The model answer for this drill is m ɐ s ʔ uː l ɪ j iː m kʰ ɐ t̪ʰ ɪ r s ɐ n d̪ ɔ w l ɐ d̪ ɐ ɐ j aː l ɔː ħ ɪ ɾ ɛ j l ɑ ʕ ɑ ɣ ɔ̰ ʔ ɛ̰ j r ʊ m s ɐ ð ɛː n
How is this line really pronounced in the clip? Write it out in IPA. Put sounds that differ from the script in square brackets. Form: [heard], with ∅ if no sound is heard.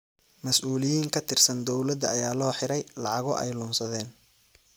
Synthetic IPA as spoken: m ɐ s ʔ uː l ɪ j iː [ŋ] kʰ ɐ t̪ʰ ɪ r s ɐ n d̪ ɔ w l ɐ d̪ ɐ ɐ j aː l ɔː ħ ɪ ɾ ɛ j l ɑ ʕ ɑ ɣ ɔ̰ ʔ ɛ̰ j [l] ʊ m s ɐ ð ɛː n